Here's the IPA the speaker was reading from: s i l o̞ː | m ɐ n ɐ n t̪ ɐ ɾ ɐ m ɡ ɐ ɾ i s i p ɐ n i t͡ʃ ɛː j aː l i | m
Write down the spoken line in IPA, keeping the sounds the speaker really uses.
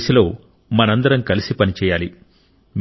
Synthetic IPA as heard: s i l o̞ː | m ɐ n ɐ n d̪ ɐ ɾ ɐ m k ɐ l i s i p ɐ n i t͡ʃ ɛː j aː l i | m